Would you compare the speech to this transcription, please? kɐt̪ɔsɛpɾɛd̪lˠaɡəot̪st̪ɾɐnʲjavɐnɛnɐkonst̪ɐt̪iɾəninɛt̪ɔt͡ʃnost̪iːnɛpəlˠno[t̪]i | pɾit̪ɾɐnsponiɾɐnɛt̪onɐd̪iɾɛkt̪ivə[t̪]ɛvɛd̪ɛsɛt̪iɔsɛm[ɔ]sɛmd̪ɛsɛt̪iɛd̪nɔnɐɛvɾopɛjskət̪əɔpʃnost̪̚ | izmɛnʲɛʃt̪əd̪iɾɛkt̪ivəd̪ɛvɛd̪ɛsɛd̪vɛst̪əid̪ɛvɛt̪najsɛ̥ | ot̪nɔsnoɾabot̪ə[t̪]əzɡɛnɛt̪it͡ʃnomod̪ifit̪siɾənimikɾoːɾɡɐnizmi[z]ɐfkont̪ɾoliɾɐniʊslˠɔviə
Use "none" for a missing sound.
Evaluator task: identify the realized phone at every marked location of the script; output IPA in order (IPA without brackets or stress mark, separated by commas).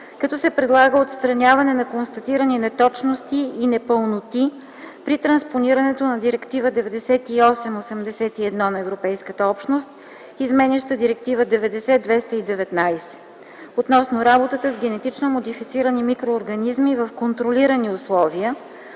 t̪, d̪, o, t̪, v